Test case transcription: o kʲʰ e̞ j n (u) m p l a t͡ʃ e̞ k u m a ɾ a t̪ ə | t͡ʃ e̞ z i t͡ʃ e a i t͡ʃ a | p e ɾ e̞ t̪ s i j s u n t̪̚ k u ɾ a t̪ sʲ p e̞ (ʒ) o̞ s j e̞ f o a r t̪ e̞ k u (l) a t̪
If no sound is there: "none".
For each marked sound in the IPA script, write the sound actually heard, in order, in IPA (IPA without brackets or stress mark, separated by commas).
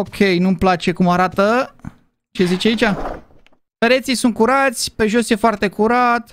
u, ʒ, ɾ